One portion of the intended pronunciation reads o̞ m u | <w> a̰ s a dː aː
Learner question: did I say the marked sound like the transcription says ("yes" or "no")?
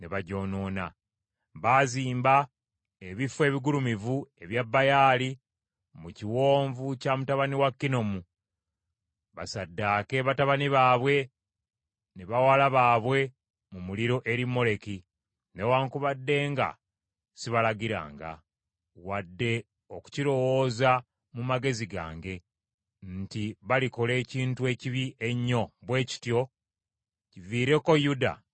no